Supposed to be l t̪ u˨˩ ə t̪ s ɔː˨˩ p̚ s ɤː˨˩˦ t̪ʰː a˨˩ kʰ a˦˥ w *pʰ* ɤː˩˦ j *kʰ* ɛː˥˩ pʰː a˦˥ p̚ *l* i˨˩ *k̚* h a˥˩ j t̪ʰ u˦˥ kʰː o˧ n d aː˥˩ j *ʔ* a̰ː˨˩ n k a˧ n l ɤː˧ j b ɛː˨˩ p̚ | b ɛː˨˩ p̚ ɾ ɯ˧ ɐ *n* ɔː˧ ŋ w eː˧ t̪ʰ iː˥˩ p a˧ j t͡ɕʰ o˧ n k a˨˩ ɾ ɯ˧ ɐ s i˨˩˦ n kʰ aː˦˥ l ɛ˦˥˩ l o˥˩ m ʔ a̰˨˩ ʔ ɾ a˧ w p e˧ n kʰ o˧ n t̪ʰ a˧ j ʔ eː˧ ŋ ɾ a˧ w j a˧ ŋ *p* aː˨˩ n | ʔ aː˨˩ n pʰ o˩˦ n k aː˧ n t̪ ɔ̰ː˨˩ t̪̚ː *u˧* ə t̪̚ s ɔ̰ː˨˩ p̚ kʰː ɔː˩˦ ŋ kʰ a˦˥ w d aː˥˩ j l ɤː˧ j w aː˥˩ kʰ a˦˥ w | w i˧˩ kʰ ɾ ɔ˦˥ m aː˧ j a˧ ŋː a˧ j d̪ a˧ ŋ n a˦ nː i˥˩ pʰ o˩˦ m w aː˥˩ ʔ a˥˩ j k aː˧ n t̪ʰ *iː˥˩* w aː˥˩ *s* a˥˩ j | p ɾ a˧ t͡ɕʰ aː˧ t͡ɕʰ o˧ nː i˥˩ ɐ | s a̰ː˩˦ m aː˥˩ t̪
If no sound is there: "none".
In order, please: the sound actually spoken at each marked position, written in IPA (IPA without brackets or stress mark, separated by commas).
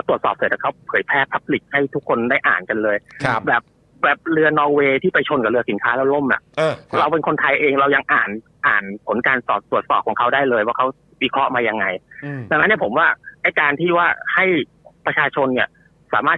pʰ, pʰ, l, k̚, ʔ, n, ʔ, u˨˩, iː˥˩, h